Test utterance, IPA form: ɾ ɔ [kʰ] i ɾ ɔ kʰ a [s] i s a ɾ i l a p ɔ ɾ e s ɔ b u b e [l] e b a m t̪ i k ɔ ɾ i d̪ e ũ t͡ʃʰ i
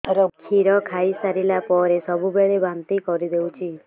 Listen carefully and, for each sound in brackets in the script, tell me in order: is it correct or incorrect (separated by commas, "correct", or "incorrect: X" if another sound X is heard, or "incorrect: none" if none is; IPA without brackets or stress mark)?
correct, incorrect: none, incorrect: ɭ